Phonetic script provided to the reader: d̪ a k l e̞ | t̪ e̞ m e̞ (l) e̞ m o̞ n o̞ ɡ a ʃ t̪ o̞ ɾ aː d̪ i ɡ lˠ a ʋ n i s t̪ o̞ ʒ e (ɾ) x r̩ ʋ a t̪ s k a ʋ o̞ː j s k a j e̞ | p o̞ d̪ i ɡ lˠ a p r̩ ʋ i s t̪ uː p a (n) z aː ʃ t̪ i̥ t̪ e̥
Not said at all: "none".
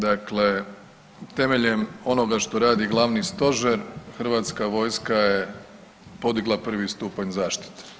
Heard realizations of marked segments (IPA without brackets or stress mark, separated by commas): ʎ, ɾ, ɲ